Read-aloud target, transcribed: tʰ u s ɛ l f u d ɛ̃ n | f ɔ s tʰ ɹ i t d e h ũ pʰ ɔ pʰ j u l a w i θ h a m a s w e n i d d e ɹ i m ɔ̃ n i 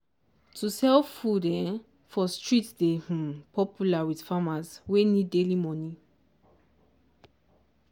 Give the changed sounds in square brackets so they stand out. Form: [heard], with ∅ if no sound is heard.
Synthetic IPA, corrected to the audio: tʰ u s ɛ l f u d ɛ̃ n | f ɔ s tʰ ɹ i t d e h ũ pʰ ɔ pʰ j u l a w i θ [f] a m a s w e n i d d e [l] i m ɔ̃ n i